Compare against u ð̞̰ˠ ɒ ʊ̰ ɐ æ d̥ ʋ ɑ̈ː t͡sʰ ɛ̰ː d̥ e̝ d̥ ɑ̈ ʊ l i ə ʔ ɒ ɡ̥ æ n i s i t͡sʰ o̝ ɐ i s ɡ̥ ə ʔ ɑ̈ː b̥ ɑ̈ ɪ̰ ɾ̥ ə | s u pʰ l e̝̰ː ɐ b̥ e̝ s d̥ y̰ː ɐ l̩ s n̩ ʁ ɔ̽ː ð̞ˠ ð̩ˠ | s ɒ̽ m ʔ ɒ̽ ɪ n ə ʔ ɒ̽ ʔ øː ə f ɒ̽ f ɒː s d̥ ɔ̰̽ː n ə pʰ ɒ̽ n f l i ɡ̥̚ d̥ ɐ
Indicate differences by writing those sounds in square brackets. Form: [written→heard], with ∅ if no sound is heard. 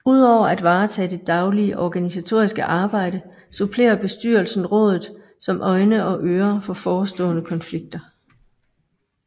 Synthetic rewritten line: u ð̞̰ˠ ɒ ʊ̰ ɐ æ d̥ ʋ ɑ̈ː t͡sʰ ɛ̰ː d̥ e̝ d̥ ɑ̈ ʊ l i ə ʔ ɒ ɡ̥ æ n i s [i→æ] t͡sʰ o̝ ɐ i s ɡ̥ ə ʔ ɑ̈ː b̥ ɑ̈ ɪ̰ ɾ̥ ə | s u pʰ l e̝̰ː ɐ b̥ e̝ s d̥ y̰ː ɐ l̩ s n̩ ʁ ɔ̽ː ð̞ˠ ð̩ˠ | s ɒ̽ m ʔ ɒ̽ ɪ n ə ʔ ɒ̽ ʔ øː [ə→ɐ] f ɒ̽ f ɒː s d̥ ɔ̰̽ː n ə [pʰ→kʰ] ɒ̽ n f l i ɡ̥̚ d̥ ɐ